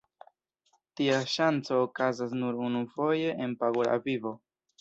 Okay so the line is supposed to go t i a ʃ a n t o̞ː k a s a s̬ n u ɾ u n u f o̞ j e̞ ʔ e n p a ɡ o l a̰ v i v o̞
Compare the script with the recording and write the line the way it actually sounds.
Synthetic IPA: t i a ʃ a n t͡s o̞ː k a z a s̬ n u ɾ u n u f o̞ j e̞ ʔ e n p a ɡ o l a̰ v i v o̞